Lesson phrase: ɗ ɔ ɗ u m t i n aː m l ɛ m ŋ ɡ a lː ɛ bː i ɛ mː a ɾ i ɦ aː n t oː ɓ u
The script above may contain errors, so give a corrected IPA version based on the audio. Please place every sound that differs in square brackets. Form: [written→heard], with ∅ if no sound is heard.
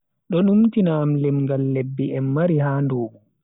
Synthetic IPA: ɗ ɔ ɗ u m t i n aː m l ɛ m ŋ ɡ a lː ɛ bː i ɛ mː a ɾ i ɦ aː n [t→d] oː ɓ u